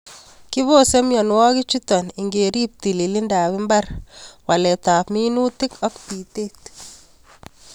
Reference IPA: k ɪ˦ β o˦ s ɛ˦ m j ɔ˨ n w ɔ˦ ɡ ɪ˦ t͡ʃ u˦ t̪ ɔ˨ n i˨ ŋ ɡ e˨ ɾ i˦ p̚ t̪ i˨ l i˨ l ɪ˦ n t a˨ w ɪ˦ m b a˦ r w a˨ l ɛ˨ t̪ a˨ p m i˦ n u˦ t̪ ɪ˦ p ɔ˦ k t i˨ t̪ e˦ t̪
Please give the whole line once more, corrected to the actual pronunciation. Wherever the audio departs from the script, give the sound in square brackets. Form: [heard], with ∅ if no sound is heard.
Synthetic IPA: k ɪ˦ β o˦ s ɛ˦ m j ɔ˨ n w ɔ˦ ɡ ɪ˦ t͡ʃ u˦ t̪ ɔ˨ n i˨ ŋ ɡ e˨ ɾ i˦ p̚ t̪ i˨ l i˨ l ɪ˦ n [d] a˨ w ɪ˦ m b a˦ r w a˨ l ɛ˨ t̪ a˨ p m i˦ n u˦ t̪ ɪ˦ [k] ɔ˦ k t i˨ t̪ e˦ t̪